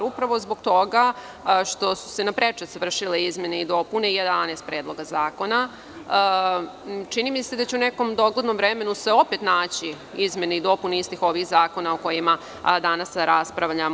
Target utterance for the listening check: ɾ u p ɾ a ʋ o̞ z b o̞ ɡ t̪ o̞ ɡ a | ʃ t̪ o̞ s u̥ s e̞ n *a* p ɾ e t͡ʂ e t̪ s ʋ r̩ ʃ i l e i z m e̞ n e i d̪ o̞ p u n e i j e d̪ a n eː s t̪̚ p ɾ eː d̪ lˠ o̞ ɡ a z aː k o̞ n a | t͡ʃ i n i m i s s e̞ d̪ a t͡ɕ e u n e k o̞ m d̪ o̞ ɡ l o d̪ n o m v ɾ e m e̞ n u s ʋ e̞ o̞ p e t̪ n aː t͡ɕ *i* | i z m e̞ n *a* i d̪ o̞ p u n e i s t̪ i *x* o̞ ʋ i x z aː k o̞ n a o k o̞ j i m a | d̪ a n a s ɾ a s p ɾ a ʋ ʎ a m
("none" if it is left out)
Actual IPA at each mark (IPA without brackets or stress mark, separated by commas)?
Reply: a, i, e, x